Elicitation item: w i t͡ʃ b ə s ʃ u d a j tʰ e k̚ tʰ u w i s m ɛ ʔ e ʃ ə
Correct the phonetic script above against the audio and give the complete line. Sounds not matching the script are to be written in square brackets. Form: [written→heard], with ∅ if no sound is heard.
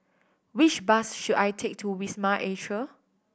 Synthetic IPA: w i t͡ʃ b [ə→a] s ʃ u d a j tʰ e k̚ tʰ u w i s m [ɛ→a] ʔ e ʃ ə